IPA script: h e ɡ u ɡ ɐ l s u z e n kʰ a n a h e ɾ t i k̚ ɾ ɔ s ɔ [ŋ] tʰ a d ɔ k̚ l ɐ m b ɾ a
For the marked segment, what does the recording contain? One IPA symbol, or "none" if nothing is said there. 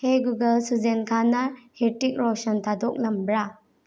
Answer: n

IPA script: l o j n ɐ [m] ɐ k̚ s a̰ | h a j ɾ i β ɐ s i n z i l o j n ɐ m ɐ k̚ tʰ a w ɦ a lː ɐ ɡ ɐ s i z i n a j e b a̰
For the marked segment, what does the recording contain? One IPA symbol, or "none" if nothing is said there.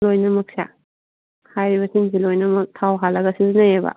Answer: m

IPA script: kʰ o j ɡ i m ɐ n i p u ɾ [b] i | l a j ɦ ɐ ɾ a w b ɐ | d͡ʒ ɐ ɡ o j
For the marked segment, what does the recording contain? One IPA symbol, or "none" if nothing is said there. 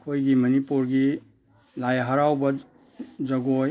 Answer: ɡ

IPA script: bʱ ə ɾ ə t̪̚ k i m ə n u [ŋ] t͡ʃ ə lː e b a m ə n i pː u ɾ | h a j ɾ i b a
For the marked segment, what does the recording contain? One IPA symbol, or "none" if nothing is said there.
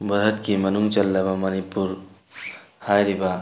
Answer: ŋ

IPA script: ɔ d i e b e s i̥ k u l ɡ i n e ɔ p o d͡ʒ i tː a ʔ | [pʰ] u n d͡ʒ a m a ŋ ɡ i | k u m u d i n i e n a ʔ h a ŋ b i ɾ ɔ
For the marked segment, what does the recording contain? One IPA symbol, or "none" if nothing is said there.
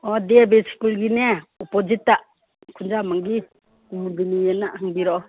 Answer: kʰ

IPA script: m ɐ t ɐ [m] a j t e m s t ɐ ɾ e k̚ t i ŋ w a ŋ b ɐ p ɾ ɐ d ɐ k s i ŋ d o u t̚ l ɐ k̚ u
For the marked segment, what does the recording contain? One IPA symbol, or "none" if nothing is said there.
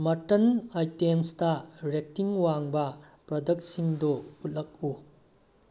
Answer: n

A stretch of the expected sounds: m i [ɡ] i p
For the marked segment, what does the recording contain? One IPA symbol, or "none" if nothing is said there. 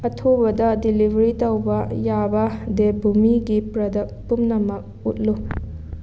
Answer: ɡ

